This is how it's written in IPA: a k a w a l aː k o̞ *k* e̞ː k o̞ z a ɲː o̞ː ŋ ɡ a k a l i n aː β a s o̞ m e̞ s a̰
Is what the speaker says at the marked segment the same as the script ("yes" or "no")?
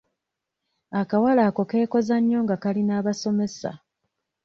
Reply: yes